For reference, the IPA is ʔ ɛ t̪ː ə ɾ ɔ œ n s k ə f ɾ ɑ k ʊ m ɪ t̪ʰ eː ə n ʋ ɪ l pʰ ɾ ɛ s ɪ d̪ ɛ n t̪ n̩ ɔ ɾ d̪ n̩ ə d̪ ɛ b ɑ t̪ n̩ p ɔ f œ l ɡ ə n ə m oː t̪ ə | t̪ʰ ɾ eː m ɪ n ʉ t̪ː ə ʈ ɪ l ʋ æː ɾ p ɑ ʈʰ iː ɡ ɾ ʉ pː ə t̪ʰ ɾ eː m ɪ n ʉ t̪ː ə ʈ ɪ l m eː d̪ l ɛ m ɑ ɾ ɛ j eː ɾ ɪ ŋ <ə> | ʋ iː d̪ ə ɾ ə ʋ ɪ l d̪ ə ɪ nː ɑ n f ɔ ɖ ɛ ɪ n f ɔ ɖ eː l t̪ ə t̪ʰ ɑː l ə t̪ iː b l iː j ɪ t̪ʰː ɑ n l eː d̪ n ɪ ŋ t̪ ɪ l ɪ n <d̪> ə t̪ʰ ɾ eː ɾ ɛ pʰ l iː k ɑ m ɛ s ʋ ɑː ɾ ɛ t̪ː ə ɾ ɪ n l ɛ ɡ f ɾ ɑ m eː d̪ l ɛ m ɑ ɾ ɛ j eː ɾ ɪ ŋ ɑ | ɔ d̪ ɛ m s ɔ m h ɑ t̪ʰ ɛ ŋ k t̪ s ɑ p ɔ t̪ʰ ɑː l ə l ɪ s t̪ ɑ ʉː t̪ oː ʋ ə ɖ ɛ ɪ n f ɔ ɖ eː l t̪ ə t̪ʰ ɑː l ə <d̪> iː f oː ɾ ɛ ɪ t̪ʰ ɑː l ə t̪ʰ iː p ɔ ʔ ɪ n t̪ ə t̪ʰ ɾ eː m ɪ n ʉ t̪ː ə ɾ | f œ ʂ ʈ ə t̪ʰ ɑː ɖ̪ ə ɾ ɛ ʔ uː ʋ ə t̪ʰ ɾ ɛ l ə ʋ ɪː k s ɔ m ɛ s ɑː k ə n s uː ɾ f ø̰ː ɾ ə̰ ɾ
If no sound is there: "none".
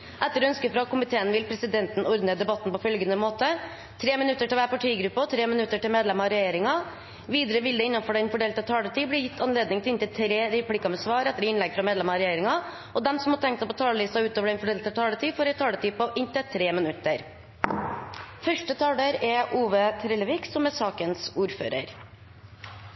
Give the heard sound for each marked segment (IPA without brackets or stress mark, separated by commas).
ɑ, t̪, t̪